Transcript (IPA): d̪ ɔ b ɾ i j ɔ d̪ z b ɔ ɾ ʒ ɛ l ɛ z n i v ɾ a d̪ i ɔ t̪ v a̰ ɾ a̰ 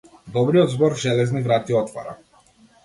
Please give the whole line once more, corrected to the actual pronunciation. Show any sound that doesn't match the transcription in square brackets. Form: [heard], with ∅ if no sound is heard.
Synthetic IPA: d̪ ɔ b ɾ i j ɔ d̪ z b ɔ ɾ ʒ ɛ l ɛ z n i v ɾ a [t̪] i ɔ t̪ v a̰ ɾ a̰